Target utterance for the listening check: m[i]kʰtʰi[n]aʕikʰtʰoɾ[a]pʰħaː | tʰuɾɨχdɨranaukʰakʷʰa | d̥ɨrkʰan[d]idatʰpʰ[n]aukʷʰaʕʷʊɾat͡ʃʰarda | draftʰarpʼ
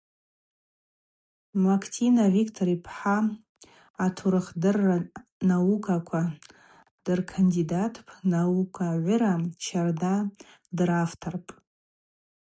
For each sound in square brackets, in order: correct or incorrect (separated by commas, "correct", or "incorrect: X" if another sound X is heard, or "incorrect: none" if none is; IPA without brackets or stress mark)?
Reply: incorrect: a, correct, incorrect: i, correct, correct